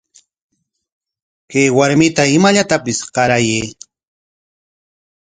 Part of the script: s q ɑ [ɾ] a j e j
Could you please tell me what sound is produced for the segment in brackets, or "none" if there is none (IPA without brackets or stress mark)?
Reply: ɾ